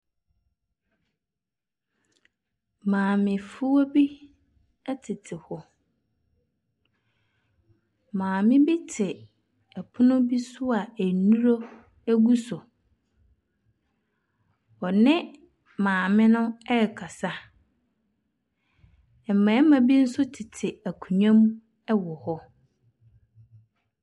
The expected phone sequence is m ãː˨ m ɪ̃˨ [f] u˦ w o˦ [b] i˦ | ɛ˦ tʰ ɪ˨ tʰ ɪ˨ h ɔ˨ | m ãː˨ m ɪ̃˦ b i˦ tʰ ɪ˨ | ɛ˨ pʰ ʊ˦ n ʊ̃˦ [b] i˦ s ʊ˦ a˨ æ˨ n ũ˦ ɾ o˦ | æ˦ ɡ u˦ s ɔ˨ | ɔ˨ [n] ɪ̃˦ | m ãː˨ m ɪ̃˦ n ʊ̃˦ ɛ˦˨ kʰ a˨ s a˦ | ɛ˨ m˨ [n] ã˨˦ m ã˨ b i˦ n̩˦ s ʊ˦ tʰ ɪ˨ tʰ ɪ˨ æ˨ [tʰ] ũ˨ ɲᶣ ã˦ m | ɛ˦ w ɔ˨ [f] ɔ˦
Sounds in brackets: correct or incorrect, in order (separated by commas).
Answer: correct, correct, correct, correct, incorrect, incorrect, incorrect